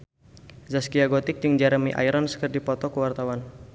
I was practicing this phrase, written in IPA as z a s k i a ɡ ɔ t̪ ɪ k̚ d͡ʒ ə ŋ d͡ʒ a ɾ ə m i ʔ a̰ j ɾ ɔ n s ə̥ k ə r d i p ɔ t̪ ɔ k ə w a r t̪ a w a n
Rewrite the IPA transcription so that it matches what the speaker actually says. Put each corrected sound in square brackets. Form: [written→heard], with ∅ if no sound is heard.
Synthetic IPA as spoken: z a s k i a ɡ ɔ t̪ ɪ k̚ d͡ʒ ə ŋ d͡ʒ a ɾ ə m i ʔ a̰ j ɾ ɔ n s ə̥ k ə r d i p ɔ t̪ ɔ k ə w a r t̪ a w a n